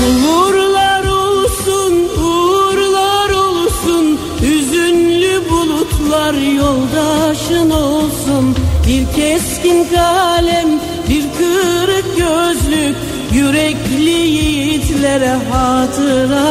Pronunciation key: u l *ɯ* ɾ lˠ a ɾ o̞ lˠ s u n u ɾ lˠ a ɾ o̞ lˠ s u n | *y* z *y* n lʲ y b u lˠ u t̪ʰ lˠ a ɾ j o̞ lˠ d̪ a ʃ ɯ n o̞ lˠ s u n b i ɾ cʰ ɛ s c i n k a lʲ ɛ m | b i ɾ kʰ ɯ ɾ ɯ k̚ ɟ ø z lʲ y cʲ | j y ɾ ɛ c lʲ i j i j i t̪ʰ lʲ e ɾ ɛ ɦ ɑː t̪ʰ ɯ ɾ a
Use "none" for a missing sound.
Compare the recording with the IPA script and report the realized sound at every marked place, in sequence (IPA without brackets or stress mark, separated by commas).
u, y, y